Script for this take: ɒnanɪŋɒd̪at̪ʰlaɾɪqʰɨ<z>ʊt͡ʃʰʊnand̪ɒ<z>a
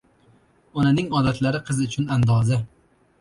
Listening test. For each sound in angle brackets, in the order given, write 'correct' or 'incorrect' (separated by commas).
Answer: correct, correct